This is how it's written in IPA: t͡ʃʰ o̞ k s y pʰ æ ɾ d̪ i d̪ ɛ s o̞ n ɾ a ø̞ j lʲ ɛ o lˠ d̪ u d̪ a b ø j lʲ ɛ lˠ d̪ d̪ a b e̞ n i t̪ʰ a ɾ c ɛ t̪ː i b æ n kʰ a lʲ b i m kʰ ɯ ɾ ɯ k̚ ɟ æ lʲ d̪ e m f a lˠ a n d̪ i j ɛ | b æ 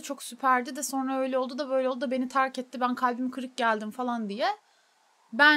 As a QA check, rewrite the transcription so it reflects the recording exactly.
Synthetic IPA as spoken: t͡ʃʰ o̞ k s y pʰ æ ɾ d̪ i d̪ ɛ s o̞ n ɾ a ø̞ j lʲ ɛ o lˠ d̪ u d̪ a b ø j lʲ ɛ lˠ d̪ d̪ a b e̞ n i t̪ʰ a ɾ c ɛ t̪ː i b æ n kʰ a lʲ b i m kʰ ɯ ɾ ɯ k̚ ɟ æ lʲ d̪ i m f a lˠ a n d̪ i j ɛ | b æ